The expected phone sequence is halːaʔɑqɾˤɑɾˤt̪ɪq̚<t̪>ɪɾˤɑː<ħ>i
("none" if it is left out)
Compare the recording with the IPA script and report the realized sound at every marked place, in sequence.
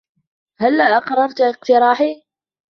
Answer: t̪, ħ

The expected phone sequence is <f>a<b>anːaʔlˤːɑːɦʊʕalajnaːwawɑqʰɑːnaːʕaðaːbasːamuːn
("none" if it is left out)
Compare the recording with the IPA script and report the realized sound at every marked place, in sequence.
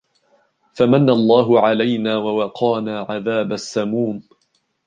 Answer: f, m

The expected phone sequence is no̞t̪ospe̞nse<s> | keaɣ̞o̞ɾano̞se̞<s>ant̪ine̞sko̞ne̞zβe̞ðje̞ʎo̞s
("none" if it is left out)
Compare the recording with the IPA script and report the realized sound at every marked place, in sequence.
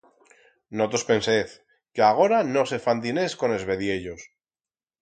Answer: θ, f

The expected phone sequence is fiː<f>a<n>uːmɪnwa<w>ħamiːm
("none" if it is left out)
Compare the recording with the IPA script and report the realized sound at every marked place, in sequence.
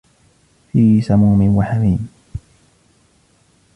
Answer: s, m, none

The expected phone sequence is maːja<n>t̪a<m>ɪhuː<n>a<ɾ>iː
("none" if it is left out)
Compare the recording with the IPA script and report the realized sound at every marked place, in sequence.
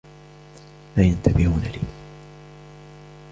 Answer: n, b, n, l

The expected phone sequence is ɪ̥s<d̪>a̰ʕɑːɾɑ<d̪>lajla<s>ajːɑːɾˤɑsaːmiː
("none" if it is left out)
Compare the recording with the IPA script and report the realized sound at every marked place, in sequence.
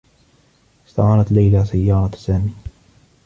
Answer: t̪, t̪, s

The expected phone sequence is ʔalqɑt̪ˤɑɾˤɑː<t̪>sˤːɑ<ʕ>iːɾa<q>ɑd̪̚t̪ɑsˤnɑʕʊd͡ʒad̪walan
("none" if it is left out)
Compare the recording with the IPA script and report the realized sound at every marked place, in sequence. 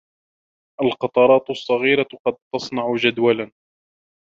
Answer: t̪, ɣ, q

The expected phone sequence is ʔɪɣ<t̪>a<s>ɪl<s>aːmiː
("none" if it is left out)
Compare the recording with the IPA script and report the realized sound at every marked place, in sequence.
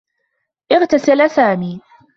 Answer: t̪, s, s

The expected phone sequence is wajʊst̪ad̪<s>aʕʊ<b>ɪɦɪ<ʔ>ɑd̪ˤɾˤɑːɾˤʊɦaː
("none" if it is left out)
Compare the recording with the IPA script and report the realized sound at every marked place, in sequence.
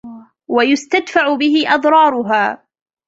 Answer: f, b, ʔ

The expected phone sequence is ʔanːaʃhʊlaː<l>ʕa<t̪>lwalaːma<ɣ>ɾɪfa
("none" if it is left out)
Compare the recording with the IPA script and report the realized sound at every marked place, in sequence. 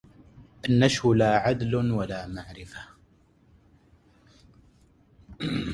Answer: none, d̪, ʕ

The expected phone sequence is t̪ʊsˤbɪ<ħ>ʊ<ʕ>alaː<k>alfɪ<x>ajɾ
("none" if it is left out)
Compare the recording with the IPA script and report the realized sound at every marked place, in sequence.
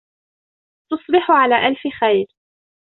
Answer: ħ, ʕ, ʔ, x

